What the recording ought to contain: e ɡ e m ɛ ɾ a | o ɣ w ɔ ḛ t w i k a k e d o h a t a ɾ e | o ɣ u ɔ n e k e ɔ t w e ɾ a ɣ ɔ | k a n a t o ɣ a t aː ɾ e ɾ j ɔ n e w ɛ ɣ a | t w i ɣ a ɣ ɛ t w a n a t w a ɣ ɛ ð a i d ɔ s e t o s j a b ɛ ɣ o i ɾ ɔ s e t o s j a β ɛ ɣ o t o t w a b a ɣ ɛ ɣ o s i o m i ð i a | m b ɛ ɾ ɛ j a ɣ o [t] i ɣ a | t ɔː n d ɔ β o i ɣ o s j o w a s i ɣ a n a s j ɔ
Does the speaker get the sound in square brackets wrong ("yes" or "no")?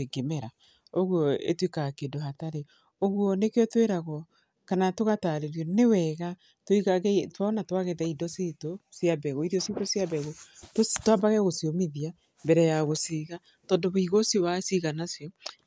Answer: yes